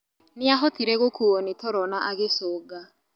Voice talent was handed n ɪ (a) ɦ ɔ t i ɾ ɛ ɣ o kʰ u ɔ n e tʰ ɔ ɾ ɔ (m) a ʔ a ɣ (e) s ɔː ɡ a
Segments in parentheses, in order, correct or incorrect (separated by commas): correct, incorrect, correct